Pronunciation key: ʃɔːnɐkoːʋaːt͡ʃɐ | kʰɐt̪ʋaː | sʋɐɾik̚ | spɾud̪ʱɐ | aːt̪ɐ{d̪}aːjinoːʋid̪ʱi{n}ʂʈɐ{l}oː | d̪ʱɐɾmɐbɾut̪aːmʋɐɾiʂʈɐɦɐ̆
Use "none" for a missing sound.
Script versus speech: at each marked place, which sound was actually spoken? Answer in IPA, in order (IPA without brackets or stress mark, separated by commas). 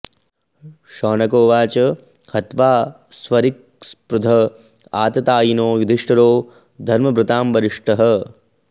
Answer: t̪, none, ɾ